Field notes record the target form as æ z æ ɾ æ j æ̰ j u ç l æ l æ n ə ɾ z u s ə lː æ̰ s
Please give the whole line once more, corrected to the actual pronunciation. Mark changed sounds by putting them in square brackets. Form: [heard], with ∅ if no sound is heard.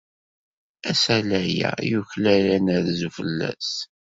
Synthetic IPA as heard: æ [s] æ [l] æ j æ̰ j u ç l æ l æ n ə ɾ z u [f] ə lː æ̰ s